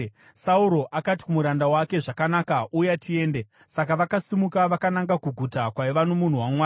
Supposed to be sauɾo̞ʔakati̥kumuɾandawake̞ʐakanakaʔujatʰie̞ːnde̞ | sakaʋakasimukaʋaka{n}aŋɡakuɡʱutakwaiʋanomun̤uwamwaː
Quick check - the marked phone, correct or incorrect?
correct